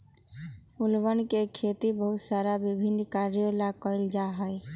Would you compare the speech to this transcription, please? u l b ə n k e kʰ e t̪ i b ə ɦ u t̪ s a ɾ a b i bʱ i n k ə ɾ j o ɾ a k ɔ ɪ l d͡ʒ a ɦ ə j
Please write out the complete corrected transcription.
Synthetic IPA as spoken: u l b ə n k e kʰ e t̪ i b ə ɦ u t̪ s a ɾ a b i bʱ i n k a ɾ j o l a k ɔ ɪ l d͡ʒ a ɦ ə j